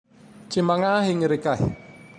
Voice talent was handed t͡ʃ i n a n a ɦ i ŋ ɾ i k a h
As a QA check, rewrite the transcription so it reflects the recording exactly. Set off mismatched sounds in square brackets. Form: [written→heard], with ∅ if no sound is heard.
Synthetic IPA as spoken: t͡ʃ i [n→m] a [n→ŋ] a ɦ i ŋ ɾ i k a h